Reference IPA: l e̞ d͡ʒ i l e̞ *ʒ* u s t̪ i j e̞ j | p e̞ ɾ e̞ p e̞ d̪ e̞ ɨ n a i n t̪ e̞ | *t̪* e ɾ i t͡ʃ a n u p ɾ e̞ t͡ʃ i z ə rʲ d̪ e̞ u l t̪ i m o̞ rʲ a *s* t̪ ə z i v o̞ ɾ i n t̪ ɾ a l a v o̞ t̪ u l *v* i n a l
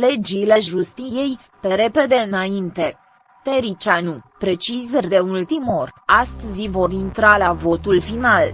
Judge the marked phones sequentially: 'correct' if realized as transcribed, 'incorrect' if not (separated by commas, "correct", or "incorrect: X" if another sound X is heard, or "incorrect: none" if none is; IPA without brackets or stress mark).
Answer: correct, correct, correct, incorrect: f